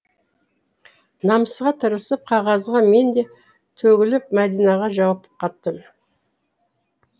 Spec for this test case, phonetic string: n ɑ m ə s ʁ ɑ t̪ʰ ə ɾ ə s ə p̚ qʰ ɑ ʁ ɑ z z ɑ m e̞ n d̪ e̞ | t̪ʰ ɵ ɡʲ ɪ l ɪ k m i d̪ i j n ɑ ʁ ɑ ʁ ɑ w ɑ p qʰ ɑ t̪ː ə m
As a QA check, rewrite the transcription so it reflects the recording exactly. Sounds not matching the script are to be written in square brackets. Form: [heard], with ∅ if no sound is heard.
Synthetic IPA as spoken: n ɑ m ə s ʁ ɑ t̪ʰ ə ɾ ə s ə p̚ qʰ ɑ ʁ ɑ z [ʁ] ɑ m e̞ n d̪ e̞ | t̪ʰ ɵ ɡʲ ɪ l ɪ [p] m [æ] d̪ i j n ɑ ʁ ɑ [ʒ] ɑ w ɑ p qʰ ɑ t̪ː ə m

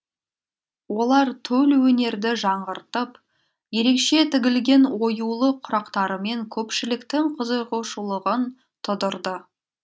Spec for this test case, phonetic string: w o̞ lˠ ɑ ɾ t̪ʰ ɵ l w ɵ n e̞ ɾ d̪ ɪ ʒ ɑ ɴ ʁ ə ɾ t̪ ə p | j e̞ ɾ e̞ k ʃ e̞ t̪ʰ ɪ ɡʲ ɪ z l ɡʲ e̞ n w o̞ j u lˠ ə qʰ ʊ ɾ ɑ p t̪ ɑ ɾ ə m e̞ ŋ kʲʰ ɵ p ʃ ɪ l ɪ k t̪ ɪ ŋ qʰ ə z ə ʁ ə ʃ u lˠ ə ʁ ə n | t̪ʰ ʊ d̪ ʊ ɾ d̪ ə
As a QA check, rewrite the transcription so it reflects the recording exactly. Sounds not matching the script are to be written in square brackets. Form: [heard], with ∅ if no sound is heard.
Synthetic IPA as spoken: w o̞ lˠ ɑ ɾ t̪ʰ ɵ l w ɵ n e̞ ɾ d̪ ɪ ʒ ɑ ɴ ʁ ə ɾ t̪ ə p | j e̞ ɾ e̞ k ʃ e̞ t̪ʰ ɪ ɡʲ ɪ [∅] l ɡʲ e̞ n w o̞ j u lˠ ə qʰ ʊ ɾ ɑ [q] t̪ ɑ ɾ ə m e̞ ŋ kʲʰ ɵ p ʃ ɪ l ɪ k t̪ ɪ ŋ qʰ ə z ə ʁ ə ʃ u lˠ ə ʁ ə n | t̪ʰ ʊ d̪ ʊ ɾ d̪ ə

